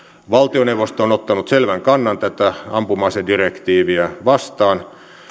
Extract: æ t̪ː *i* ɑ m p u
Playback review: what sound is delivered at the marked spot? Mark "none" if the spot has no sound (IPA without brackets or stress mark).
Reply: æ